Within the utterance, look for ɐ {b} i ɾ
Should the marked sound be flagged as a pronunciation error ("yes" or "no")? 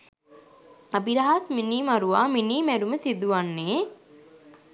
no